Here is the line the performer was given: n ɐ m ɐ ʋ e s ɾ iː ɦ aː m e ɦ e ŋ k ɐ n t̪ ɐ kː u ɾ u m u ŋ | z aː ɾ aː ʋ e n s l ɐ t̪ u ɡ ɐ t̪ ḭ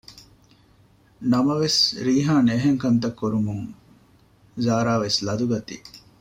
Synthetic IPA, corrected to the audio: n ɐ m ɐ ʋ e s ɾ iː ɦ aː n e ɦ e ŋ k ɐ n t̪ ɐ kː u ɾ u m u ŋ | z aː ɾ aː ʋ e s l ɐ d̪ u ɡ ɐ t̪ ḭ